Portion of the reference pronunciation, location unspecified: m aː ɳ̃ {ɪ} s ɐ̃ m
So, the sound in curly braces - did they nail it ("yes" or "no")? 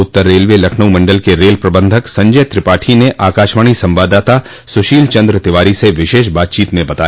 no